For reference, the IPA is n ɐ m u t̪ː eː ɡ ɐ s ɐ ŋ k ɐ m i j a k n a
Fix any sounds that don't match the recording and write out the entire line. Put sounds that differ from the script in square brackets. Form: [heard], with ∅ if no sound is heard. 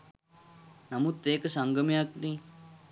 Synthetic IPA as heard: n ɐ m u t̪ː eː [k] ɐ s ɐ ŋ [ɡ] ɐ m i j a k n [i]